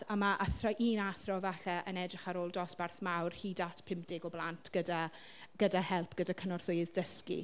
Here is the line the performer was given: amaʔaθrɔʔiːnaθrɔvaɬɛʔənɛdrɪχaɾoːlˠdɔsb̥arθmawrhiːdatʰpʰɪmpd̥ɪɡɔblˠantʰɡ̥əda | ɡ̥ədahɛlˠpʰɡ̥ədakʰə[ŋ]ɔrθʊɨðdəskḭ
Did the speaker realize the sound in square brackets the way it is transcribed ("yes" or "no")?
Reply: no